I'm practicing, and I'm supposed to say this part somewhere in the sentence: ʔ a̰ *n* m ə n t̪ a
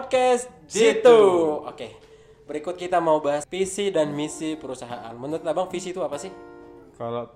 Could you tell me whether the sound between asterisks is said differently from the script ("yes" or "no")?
no